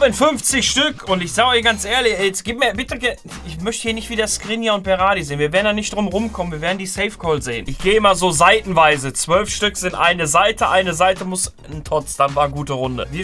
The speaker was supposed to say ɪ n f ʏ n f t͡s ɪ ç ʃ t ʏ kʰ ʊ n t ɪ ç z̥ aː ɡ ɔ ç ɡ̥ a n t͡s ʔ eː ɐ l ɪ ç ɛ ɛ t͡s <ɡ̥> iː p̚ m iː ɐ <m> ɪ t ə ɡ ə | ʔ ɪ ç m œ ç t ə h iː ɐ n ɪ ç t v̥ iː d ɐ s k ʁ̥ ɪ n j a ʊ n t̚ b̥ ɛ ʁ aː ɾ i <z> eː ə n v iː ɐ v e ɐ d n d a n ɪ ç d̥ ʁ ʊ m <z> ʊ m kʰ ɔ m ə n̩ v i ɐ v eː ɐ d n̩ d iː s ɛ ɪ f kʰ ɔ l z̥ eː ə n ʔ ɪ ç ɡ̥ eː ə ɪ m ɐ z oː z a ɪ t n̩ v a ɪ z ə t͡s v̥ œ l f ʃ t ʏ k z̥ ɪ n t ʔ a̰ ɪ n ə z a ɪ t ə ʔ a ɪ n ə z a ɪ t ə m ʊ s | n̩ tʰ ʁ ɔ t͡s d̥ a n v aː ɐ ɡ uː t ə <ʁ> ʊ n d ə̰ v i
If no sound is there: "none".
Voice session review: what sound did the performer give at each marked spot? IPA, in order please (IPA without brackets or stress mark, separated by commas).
ɡ̥, b, z, ʁ, ʁ